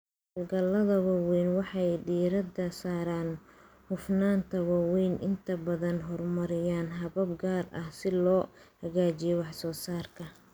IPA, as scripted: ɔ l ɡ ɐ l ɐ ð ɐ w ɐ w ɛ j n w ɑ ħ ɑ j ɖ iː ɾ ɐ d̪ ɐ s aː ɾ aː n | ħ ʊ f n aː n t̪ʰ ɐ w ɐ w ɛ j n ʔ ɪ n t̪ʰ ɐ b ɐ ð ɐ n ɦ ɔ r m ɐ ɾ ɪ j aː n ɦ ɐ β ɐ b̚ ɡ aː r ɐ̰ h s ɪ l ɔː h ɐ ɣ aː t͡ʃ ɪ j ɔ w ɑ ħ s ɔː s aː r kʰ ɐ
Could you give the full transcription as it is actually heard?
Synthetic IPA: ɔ l ɡ ɐ l ɐ ð ɐ w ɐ w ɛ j n w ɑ ħ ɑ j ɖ iː ɾ ɐ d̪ ɐ s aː ɾ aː n | h ʊ f n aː n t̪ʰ ɐ w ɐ w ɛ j n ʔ ɪ n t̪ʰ ɐ b ɐ ð ɐ n ɦ ɔ r m ɐ ɾ ɪ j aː n ɦ ɐ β ɐ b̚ ɡ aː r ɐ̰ h s ɪ l ɔː h ɐ ɣ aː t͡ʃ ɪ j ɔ w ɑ ħ s ɔː s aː r kʰ ɐ